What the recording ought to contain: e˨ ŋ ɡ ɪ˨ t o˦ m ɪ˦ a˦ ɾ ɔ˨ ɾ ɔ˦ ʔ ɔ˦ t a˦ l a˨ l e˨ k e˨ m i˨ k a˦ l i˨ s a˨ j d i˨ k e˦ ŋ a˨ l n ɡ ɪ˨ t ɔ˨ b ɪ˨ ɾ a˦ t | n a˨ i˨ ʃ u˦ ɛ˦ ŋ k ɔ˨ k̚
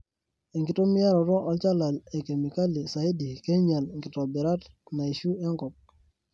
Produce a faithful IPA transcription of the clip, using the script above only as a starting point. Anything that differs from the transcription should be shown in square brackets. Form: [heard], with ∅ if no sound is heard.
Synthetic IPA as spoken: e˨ ŋ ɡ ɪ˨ t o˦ m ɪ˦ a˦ ɾ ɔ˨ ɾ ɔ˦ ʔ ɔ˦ [t͡ʃ] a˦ l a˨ l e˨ k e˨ m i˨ k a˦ l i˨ s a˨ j d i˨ k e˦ [ɲ] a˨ l [ŋ] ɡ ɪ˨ t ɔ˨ b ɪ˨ ɾ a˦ t | n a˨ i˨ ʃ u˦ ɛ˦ ŋ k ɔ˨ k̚